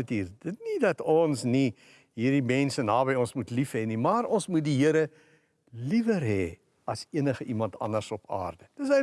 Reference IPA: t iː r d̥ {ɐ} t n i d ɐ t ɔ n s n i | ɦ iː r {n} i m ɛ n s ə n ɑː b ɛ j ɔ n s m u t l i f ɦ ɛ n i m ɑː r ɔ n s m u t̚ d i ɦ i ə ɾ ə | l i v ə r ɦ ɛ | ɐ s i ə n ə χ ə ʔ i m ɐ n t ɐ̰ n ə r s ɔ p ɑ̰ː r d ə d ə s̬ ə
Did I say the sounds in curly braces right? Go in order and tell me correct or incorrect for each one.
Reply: incorrect: ə, incorrect: d

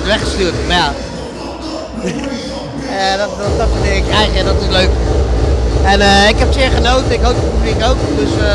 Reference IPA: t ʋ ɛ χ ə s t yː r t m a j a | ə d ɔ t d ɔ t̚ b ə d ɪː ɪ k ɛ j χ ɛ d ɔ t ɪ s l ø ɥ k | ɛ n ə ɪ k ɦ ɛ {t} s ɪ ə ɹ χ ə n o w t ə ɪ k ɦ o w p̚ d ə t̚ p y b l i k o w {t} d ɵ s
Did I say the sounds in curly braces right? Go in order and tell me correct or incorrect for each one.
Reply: incorrect: p, incorrect: k

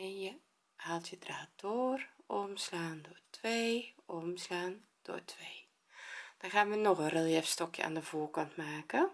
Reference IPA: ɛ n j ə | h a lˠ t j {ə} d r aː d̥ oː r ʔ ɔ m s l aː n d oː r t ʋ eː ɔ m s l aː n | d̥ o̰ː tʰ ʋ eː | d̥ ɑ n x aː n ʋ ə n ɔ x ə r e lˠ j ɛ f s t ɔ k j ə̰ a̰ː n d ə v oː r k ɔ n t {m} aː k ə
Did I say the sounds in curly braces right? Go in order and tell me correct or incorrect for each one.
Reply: correct, correct

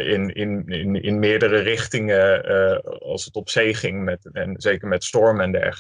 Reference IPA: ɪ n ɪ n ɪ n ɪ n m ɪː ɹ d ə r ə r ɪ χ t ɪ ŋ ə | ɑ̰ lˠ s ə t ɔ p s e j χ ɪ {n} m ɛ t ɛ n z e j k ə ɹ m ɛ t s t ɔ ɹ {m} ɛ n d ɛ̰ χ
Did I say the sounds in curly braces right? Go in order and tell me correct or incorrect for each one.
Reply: incorrect: ŋ, correct

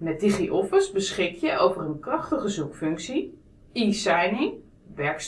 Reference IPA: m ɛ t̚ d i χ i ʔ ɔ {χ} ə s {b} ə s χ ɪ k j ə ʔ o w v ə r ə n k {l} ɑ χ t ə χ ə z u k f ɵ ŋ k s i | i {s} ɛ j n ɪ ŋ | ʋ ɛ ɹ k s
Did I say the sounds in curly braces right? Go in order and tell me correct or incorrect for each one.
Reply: incorrect: f, correct, incorrect: r, correct

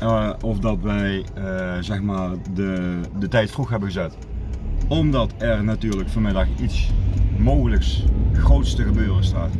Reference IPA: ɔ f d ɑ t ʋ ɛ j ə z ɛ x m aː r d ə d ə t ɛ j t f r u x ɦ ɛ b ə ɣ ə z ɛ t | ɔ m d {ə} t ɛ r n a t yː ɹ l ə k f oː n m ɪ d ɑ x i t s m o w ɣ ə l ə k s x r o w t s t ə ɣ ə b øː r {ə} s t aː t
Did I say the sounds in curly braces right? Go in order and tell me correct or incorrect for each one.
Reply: incorrect: ɑ, correct

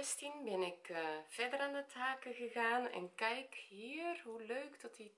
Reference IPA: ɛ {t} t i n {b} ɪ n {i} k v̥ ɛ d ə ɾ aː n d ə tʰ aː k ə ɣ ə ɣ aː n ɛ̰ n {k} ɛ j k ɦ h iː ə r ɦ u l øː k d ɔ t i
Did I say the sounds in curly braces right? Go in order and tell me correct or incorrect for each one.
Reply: incorrect: s, correct, incorrect: ɪ, correct

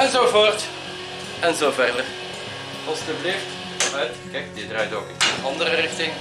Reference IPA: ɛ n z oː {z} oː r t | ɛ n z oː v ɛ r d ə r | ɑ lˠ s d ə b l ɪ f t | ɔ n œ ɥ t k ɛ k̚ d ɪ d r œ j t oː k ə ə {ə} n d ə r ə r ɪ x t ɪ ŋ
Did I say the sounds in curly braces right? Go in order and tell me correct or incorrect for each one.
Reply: incorrect: v, incorrect: ɑ

